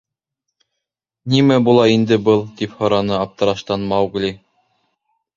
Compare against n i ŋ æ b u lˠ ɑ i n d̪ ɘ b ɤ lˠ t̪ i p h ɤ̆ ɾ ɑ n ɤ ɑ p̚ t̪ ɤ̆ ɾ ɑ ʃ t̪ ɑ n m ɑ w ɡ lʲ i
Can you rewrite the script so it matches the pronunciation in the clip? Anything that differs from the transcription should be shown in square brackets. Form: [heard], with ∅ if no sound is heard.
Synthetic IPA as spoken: n i [m] æ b u lˠ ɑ i n d̪ ɘ b ɤ lˠ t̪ i p h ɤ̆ ɾ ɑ n ɤ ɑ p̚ t̪ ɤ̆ ɾ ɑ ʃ t̪ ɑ n m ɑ w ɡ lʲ i